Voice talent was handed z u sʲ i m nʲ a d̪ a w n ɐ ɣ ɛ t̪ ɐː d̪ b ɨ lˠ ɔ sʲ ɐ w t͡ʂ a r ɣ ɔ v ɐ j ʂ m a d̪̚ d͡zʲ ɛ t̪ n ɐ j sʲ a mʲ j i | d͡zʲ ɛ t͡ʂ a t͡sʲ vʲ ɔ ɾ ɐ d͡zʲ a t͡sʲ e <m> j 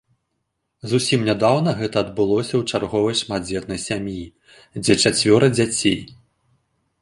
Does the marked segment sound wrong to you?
yes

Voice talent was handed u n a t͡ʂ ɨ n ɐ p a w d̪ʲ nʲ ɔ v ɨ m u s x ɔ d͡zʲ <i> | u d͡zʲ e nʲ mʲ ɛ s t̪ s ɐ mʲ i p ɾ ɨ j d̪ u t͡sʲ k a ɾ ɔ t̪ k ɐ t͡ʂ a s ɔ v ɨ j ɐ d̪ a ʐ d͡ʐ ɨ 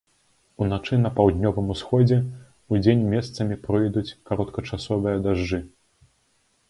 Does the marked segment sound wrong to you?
yes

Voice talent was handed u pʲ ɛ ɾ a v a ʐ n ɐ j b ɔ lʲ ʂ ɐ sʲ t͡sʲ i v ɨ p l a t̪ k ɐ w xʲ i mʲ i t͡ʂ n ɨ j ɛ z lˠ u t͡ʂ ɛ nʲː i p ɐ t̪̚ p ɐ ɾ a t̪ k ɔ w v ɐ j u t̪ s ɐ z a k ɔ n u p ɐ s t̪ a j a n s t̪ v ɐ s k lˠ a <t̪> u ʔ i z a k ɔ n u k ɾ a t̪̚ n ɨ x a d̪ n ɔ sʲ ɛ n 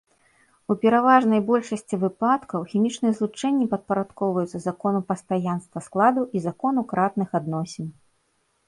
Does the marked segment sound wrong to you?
yes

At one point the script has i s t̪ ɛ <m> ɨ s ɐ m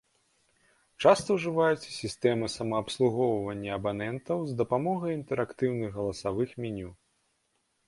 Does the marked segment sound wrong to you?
no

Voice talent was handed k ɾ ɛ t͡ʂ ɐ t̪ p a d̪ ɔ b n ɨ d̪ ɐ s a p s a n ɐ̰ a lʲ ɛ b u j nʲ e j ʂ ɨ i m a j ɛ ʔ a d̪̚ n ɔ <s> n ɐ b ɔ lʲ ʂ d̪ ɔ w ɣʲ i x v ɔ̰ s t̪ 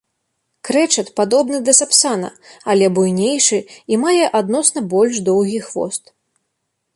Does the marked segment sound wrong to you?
no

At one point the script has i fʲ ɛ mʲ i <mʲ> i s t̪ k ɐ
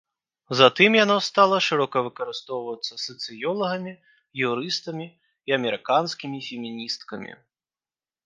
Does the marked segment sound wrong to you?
yes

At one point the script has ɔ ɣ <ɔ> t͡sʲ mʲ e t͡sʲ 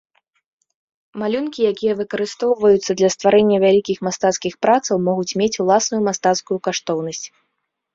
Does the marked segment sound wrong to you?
yes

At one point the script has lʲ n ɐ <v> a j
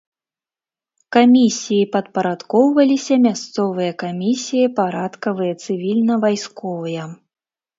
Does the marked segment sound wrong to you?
no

